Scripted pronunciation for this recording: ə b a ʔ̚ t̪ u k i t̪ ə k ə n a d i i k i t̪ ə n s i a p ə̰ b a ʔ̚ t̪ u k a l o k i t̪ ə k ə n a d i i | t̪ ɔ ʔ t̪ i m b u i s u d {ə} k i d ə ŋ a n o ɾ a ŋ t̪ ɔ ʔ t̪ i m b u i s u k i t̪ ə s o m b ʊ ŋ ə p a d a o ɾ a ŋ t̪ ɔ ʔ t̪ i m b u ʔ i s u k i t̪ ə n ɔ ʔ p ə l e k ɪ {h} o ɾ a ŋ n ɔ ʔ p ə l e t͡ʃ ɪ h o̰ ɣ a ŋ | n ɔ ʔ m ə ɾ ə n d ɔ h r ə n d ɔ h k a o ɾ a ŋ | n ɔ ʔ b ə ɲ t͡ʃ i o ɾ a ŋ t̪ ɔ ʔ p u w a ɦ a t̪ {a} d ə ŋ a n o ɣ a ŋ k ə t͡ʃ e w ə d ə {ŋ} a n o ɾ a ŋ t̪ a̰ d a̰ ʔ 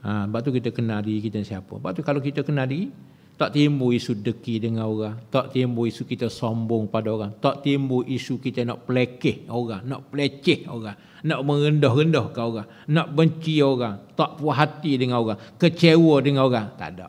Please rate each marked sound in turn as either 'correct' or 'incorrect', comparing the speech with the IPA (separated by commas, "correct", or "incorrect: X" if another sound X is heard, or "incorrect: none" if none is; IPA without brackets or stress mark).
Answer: correct, correct, incorrect: i, correct